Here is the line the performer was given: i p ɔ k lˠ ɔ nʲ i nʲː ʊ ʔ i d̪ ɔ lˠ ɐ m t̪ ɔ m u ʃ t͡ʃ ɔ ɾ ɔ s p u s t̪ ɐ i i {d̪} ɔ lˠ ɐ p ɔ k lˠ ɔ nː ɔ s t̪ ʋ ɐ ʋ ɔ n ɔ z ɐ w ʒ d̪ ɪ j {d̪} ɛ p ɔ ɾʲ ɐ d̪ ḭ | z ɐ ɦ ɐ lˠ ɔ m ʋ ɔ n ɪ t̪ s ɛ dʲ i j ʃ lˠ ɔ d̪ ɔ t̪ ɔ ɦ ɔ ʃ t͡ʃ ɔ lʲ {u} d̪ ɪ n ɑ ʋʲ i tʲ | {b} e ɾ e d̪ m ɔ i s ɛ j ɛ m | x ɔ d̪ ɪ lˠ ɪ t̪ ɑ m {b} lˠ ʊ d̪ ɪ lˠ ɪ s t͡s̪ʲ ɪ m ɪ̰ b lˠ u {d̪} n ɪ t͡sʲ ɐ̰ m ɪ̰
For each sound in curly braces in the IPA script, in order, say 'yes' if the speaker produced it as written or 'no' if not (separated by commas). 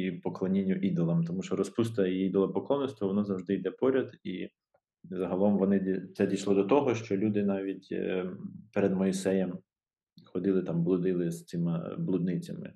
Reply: yes, yes, yes, no, yes, yes